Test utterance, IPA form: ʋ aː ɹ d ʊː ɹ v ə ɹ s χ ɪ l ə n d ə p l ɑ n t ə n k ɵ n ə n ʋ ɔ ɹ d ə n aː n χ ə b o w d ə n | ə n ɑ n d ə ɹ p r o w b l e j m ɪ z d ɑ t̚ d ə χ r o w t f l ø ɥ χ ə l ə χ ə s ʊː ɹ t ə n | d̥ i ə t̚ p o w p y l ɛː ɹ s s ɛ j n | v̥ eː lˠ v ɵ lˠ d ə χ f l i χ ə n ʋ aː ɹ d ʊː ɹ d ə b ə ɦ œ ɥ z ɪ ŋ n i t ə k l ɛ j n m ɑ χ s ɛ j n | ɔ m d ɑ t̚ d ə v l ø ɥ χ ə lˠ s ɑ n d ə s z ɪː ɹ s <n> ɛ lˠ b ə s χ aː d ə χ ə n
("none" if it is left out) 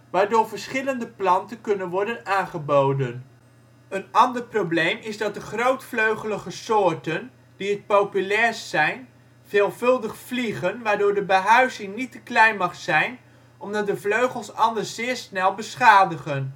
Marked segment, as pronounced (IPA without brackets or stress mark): n